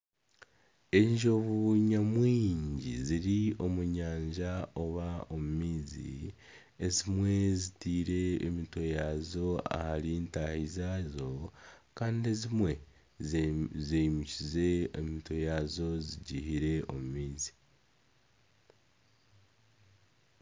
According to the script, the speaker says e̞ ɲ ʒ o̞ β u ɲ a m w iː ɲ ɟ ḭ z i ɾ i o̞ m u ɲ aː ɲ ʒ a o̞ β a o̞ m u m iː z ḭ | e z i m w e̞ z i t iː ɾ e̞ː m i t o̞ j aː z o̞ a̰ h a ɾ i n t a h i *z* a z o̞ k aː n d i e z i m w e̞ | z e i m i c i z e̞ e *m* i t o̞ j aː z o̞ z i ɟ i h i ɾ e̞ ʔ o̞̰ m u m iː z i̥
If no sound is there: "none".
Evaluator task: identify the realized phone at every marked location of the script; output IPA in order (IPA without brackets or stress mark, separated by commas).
z, m